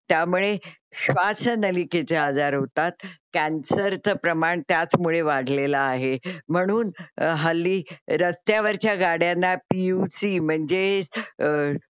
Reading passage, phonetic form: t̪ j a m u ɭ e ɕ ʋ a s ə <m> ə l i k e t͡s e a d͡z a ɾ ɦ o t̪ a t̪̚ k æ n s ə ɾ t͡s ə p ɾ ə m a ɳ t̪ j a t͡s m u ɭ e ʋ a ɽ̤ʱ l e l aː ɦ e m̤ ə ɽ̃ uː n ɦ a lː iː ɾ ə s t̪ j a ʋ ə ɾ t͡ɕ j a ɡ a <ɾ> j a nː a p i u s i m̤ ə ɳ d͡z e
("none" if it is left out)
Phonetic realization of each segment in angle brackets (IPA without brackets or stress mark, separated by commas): n, ɽ